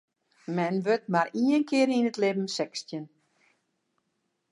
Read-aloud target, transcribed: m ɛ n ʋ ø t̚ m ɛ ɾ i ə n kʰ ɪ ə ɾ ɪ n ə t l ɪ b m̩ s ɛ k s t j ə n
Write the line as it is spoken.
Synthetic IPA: m ɛ n ʋ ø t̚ m a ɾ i ə n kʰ ɪ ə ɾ i n ə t l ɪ b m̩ s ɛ k s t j ə n